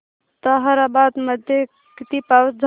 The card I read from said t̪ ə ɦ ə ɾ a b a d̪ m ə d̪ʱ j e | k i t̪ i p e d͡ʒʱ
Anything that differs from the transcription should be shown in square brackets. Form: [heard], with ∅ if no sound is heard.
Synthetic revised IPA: t̪ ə ɦ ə ɾ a b a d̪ m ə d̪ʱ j e | k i t̪ i p [a] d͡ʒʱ